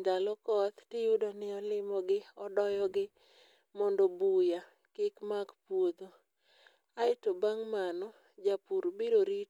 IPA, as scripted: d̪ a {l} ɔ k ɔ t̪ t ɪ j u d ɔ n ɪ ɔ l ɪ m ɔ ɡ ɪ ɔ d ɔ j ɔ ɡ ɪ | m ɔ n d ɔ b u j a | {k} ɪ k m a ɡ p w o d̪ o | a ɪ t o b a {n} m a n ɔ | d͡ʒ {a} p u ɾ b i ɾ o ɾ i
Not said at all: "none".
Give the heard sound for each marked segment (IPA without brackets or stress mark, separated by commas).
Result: l, k, ŋ, a